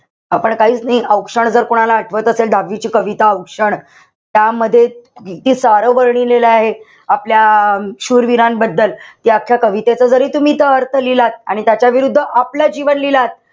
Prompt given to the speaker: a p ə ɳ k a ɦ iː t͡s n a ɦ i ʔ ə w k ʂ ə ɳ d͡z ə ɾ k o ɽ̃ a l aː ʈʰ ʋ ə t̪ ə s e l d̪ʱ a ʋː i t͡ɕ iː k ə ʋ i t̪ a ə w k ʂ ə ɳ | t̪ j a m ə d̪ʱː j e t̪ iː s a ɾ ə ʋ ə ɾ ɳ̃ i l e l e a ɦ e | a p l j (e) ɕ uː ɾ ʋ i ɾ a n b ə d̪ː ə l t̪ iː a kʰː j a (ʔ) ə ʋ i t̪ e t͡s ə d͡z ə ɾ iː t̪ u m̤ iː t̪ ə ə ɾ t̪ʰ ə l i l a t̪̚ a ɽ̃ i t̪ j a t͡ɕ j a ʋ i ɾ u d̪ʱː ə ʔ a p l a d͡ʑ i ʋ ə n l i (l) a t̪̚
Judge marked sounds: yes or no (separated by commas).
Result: no, no, yes